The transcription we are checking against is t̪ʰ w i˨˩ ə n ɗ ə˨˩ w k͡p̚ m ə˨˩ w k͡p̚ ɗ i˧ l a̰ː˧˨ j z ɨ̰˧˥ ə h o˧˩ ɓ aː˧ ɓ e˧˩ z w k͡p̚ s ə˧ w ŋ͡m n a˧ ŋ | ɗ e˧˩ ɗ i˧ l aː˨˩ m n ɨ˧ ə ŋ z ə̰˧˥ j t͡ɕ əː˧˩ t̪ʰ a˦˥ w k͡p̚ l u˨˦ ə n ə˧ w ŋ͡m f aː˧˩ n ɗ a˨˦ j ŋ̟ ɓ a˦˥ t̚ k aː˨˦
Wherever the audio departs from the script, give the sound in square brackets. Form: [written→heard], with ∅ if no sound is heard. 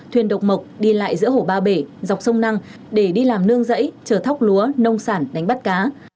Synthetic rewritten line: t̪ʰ w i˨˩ ə n ɗ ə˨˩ w k͡p̚ m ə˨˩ w k͡p̚ ɗ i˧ l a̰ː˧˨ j z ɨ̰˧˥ ə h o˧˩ ɓ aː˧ ɓ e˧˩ z w k͡p̚ s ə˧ w ŋ͡m n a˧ ŋ | ɗ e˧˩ ɗ i˧ l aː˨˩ m n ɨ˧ ə ŋ z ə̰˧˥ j t͡ɕ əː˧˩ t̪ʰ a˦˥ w k͡p̚ l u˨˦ ə n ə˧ w ŋ͡m [f→s] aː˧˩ n ɗ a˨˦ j ŋ̟ ɓ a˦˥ t̚ k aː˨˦